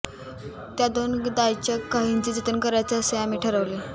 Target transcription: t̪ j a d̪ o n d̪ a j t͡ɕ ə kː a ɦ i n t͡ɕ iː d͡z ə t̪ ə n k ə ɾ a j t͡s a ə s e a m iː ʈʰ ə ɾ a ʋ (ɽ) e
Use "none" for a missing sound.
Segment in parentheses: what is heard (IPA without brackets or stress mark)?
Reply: l